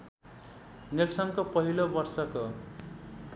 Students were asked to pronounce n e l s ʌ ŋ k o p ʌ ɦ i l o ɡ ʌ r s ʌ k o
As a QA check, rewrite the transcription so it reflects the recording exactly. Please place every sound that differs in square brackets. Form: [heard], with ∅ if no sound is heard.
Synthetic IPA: n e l s ʌ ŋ k o p ʌ ɦ i l o [b] ʌ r s ʌ k o